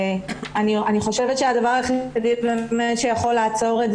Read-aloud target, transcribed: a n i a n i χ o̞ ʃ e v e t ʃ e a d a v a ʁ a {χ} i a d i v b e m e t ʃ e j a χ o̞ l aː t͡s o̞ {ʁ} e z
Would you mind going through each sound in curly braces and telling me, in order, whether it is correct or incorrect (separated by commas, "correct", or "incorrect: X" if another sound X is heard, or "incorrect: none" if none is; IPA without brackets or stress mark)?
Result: correct, correct